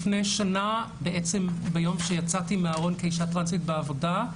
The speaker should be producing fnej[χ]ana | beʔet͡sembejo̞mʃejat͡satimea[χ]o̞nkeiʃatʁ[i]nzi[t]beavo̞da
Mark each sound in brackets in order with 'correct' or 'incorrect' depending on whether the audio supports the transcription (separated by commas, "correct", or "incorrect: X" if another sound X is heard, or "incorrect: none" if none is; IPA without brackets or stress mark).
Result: incorrect: ʃ, incorrect: ʁ, incorrect: a, correct